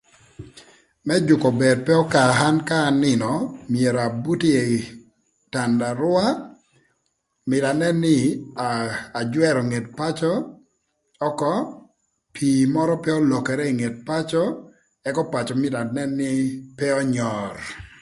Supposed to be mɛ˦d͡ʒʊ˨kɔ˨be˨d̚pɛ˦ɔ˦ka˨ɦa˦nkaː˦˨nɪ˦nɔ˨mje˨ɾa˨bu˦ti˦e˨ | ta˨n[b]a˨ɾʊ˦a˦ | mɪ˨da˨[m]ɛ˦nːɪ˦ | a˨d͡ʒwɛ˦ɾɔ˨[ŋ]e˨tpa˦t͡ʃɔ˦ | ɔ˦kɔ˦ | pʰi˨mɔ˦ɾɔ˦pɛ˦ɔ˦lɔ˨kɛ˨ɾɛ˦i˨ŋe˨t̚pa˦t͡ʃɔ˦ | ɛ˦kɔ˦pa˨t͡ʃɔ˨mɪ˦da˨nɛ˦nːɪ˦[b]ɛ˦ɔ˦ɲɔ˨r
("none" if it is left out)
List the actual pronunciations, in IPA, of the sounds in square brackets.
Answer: d, n, ŋ, p

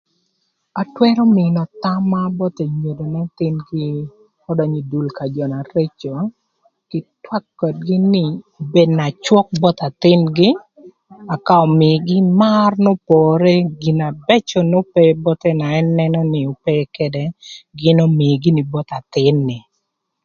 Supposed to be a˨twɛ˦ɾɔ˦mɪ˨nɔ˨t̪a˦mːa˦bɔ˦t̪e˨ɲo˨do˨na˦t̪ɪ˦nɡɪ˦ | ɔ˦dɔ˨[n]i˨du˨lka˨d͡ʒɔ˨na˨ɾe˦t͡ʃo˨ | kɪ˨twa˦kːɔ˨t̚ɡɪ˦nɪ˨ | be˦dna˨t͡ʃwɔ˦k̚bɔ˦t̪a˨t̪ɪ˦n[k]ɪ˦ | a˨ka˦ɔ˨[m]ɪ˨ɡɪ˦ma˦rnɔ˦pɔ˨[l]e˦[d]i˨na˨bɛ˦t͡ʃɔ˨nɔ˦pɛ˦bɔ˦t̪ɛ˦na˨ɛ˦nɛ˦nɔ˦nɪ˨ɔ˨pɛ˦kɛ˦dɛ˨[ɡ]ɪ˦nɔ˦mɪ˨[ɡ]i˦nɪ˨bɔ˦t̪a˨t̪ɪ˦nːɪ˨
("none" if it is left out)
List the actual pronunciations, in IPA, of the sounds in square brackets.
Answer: ɲ, ɡ, m, ɾ, ɡ, ɡ, ɡ

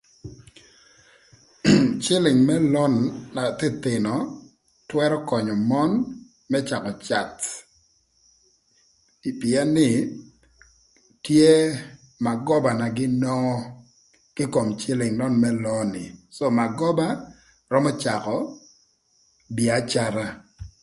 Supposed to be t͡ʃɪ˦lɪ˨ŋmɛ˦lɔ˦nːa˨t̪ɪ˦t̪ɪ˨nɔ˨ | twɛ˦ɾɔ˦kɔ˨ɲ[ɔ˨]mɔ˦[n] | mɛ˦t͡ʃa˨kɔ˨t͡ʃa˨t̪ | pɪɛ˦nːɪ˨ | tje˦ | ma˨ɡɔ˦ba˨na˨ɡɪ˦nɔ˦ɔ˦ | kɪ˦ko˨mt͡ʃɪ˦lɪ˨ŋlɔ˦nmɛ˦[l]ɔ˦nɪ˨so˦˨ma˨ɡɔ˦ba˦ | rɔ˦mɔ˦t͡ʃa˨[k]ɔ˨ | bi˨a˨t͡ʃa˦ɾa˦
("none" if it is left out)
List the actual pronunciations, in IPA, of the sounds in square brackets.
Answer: ɔ˨, n, l, k

